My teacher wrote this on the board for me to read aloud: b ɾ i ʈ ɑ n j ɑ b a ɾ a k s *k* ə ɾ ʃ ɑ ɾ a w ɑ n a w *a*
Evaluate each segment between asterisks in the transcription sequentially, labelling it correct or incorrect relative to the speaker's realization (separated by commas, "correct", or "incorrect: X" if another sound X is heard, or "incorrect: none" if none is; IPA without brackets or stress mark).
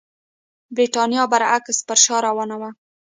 incorrect: p, correct